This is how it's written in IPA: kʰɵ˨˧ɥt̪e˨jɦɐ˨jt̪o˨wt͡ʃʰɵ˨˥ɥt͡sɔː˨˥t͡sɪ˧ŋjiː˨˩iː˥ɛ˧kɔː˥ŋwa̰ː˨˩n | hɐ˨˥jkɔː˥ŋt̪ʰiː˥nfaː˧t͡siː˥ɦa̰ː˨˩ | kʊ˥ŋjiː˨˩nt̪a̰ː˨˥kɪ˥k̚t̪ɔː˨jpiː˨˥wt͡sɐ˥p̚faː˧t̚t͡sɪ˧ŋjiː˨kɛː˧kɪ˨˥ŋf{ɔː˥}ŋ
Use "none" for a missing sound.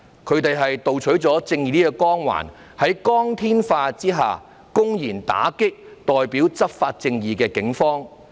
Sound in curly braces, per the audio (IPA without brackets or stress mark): ɔː˥